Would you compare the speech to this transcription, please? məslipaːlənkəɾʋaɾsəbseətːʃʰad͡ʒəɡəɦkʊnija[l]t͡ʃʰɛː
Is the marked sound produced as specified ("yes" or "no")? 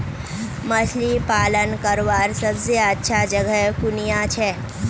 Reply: no